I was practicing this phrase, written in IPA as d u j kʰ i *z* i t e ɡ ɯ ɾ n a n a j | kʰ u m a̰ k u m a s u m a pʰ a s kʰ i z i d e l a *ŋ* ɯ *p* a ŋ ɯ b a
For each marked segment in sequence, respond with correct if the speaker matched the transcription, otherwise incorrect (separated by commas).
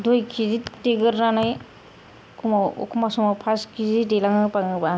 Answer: correct, correct, correct